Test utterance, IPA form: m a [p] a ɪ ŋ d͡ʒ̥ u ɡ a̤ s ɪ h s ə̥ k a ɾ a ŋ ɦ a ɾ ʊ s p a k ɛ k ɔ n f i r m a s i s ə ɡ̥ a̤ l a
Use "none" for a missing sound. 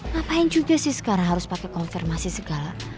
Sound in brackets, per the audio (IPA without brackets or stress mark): p